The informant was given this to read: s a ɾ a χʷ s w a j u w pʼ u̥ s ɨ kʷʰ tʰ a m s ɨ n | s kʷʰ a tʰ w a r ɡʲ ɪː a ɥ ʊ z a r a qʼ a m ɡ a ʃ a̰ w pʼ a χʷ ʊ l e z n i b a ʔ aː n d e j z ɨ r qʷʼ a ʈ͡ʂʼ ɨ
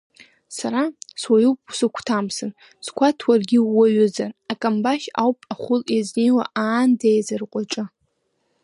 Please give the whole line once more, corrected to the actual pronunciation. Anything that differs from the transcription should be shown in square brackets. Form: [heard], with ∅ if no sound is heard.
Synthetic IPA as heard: s a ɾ a [∅] s w a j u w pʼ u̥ s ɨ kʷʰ tʰ a m s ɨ n | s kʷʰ a tʰ w a r ɡʲ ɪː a ɥ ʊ z a r a [kʼ] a m [b] a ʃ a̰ w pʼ a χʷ ʊ l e z n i [w] a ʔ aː n d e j z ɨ r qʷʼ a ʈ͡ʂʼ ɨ